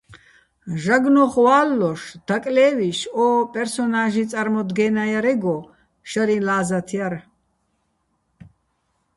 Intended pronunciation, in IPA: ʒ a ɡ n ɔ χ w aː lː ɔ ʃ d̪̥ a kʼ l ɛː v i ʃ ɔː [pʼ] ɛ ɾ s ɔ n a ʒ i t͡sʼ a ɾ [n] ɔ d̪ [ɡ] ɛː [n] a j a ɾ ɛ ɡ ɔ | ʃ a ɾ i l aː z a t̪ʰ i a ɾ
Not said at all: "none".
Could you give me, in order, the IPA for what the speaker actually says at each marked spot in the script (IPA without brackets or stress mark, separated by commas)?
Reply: pʼ, m, ɡ, n